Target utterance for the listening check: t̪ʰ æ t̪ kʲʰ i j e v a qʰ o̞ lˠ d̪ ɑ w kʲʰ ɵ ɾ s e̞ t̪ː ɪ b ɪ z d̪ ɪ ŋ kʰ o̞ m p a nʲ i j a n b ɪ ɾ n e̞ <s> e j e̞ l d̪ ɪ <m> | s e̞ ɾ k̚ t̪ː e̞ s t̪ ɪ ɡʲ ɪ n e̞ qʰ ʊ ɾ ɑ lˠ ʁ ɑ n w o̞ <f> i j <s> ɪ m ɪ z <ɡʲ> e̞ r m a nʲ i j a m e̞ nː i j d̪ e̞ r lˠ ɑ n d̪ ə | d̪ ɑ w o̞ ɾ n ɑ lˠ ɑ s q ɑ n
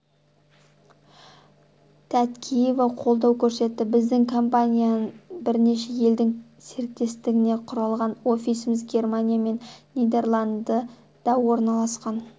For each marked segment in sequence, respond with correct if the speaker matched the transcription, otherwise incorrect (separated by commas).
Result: incorrect, incorrect, correct, correct, correct